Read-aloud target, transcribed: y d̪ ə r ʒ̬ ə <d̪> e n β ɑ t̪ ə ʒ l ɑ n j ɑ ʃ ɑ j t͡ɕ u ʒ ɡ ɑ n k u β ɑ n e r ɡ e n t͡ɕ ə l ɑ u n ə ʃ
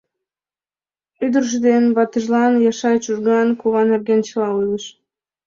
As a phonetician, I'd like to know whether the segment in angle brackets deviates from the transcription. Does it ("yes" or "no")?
no